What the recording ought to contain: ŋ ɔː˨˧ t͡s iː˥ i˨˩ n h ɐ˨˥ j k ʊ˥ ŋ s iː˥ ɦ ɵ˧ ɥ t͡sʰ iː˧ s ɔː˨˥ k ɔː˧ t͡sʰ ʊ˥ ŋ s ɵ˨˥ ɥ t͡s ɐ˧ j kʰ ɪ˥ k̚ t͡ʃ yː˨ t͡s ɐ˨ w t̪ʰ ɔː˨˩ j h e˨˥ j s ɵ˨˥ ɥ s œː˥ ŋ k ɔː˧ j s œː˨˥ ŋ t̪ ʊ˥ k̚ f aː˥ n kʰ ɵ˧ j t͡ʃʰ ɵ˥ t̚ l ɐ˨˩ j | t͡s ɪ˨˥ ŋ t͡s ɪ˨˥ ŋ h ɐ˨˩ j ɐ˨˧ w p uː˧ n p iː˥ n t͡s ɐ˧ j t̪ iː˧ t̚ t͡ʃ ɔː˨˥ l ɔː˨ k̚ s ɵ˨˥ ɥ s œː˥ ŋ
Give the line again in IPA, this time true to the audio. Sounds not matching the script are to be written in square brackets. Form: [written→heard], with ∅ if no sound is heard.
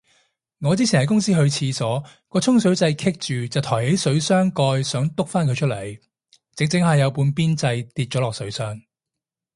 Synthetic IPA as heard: ŋ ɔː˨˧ t͡s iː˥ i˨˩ n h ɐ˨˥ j k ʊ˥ ŋ s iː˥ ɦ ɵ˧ ɥ t͡sʰ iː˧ s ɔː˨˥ k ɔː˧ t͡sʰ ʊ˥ ŋ s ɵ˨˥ ɥ t͡s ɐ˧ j kʰ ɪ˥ k̚ t͡ʃ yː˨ t͡s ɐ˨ w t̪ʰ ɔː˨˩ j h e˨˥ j s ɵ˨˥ ɥ s œː˥ ŋ k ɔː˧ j s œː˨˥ ŋ t̪ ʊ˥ k̚ f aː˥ n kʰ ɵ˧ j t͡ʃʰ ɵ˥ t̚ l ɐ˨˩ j | t͡s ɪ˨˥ ŋ t͡s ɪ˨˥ ŋ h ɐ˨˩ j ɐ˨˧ w p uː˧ n p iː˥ n t͡s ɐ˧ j t̪ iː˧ t̚ t͡ʃ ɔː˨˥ l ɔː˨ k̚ s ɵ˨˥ ɥ s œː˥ ŋ